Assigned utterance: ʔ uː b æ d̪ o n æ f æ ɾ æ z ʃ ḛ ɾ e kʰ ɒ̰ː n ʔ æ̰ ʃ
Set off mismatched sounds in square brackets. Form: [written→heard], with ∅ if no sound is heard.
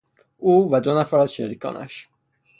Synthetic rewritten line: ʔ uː [b→v] æ d̪ o n æ f æ ɾ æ z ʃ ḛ ɾ [e→i] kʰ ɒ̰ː n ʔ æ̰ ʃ